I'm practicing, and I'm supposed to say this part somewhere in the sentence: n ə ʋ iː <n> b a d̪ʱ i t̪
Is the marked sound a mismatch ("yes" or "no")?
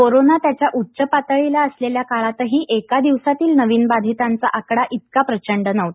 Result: no